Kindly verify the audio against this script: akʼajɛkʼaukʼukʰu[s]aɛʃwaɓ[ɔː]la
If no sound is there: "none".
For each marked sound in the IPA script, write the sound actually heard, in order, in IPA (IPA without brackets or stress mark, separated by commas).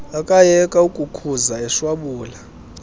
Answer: z, uː